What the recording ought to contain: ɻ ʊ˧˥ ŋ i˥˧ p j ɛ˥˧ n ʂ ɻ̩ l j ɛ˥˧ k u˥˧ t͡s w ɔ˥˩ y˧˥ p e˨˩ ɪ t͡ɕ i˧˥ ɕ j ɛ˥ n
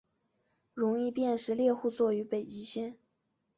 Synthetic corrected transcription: ɻ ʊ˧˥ ŋ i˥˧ p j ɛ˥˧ n ʂ ɻ̩ l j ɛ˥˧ x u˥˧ t͡s w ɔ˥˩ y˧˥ p e˨˩ ɪ t͡ɕ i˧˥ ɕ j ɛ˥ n